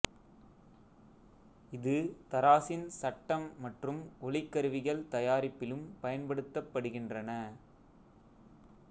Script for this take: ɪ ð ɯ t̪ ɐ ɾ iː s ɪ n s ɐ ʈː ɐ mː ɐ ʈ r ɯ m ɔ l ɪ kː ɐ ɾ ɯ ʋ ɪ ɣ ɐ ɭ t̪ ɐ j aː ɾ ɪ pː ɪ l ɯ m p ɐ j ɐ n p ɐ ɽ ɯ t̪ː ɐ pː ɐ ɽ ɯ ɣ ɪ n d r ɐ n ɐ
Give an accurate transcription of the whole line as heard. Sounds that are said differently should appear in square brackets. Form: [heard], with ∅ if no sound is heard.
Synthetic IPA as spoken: ɪ ð ɯ t̪ ɐ ɾ [aː] s ɪ n s ɐ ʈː ɐ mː ɐ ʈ r ɯ m ɔ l ɪ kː ɐ ɾ ɯ ʋ ɪ ɣ ɐ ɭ t̪ ɐ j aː ɾ ɪ pː ɪ l ɯ m p ɐ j ɐ n p ɐ ɽ ɯ t̪ː ɐ pː ɐ ɽ ɯ ɣ ɪ n d r ɐ n ɐ